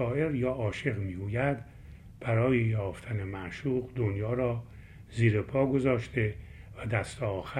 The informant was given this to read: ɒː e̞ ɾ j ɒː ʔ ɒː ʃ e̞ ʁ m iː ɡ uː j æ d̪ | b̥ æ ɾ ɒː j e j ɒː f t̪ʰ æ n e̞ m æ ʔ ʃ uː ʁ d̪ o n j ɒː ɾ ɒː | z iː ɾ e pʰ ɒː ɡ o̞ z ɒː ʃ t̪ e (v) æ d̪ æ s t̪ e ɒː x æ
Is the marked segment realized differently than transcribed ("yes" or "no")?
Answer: no